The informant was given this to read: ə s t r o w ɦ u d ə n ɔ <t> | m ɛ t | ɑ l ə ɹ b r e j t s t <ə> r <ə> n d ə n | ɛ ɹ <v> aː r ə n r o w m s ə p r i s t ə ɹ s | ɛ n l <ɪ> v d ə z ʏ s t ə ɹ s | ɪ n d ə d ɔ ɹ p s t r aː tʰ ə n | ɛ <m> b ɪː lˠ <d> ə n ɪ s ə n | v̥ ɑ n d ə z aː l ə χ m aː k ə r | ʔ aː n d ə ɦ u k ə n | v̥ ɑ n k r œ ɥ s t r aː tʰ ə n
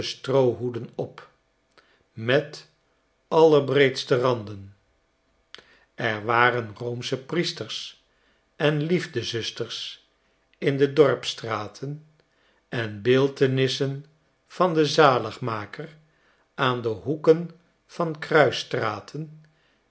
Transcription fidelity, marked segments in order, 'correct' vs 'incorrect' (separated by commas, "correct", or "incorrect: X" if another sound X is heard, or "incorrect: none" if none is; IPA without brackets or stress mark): incorrect: p, correct, incorrect: ɑ, incorrect: ʋ, incorrect: i, incorrect: n, incorrect: t